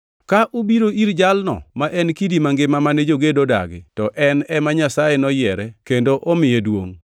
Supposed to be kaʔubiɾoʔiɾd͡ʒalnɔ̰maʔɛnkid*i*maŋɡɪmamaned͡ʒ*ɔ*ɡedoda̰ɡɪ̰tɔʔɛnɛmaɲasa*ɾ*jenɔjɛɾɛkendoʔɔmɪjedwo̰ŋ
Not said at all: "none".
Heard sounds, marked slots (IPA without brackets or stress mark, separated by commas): i, o, none